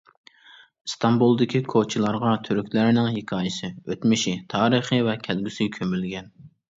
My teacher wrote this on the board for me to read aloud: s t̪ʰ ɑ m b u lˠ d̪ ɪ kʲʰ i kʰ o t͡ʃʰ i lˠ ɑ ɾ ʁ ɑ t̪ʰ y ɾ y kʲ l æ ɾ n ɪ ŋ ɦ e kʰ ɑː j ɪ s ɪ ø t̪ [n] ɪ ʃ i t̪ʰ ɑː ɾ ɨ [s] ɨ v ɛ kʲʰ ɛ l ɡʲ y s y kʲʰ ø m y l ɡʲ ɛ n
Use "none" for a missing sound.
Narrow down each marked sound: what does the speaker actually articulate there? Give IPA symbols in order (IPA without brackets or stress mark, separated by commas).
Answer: m, χ